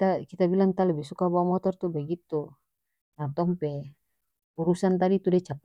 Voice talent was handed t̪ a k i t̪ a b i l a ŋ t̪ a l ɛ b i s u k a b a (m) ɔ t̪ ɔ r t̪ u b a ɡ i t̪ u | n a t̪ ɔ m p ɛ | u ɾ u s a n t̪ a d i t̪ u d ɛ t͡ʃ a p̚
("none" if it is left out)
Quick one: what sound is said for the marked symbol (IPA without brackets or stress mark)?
m